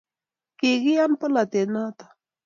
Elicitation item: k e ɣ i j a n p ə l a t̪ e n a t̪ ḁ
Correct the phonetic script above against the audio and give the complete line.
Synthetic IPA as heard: k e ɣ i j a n p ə l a t̪ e n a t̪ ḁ

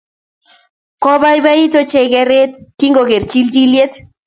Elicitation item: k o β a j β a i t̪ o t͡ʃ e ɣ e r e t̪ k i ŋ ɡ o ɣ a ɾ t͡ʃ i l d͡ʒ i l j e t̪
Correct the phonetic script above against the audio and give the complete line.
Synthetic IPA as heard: k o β a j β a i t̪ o t͡ʃ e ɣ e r e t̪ k i ŋ ɡ o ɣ e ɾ t͡ʃ i l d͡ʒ i l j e t̪

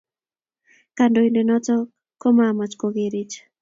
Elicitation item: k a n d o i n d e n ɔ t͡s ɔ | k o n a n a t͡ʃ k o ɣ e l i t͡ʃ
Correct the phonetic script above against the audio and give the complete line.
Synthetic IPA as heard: k a n d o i n d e n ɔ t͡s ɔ | k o m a m a t͡ʃ k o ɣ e ɾ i t͡ʃ

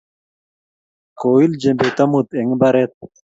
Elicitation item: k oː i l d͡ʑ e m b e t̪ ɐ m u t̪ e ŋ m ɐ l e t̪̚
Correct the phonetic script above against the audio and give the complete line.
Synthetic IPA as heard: k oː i l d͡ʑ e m b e t̪ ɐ m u t̪ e ŋ b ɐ ɾ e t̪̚

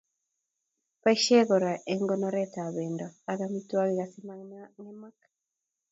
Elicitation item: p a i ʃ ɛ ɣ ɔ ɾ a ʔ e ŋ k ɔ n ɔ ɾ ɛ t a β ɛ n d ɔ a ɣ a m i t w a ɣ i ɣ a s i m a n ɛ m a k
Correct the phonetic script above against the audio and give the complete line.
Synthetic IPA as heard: p a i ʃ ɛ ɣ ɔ ɾ a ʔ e ŋ ɡ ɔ n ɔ ɾ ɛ t a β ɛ n d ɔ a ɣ a m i t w a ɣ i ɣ a s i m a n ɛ m a k

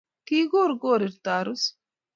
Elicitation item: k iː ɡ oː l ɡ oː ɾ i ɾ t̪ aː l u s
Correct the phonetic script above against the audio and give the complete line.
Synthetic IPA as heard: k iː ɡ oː ɾ ɡ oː ɾ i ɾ t̪ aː ɾ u s

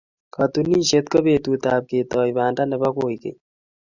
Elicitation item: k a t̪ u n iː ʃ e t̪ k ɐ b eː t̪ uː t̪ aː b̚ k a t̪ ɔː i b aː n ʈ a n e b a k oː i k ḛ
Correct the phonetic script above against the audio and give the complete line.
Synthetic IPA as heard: k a t̪ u n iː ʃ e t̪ k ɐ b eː t̪ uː t̪ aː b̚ k e t̪ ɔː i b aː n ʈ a n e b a k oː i k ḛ

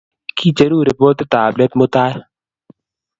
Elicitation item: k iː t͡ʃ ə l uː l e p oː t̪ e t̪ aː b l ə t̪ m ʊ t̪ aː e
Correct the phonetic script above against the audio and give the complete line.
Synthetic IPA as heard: k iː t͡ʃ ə ɾ uː ɾ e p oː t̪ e t̪ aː b l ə t̪ m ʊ t̪ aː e

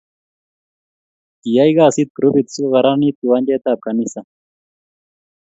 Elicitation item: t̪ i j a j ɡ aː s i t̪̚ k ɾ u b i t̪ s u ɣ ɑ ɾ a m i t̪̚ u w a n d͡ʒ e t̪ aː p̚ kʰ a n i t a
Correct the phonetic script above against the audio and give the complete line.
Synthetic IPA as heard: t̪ i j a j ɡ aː s i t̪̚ k ɾ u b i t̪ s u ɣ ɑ ɾ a n i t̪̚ u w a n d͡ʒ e t̪ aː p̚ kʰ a n i s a

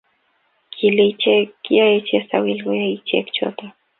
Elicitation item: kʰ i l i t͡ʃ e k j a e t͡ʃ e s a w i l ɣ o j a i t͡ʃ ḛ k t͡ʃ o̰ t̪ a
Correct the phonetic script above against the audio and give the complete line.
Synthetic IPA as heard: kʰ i l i t͡ʃ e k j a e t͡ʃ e s a w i l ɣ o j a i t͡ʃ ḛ k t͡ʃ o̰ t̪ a

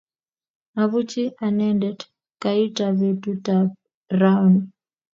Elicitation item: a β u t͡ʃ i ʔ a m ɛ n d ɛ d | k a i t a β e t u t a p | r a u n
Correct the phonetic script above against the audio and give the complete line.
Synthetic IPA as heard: a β u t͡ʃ i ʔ a n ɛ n d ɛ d | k a i t a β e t u t a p | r a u n

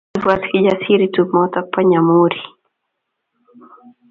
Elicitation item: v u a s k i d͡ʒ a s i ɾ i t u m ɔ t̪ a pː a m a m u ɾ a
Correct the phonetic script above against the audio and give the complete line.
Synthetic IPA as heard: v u a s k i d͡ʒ a s i ɾ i t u m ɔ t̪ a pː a ɲ a m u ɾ i

